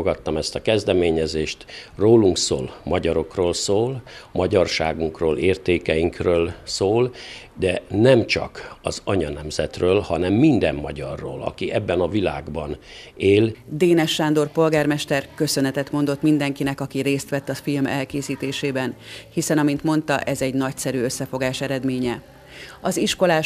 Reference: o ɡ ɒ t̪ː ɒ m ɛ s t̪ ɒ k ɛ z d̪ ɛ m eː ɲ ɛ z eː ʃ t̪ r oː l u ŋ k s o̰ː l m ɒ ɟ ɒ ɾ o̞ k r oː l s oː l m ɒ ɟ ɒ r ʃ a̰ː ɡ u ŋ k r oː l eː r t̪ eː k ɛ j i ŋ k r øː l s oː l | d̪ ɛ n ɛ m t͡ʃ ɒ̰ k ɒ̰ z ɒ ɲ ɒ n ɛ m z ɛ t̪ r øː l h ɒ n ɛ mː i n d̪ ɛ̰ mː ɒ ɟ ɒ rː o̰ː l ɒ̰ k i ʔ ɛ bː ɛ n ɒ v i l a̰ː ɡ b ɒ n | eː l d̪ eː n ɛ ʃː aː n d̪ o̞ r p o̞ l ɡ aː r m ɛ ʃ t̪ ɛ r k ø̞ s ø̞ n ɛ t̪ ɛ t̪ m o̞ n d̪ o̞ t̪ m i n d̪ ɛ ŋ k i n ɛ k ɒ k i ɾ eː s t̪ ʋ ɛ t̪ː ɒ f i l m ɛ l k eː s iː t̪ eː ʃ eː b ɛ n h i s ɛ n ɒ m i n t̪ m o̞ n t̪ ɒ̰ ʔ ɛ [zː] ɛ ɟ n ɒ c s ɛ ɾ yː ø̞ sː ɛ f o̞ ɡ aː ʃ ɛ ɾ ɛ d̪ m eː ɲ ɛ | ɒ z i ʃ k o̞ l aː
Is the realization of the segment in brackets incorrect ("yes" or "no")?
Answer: yes